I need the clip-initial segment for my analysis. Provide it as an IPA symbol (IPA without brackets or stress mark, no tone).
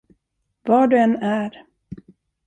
v